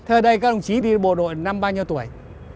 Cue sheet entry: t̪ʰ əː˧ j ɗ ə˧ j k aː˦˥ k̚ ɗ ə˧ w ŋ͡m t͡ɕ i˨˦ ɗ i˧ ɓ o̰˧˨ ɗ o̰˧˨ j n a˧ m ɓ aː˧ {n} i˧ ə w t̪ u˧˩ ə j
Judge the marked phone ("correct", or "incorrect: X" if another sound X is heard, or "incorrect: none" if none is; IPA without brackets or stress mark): incorrect: ɲ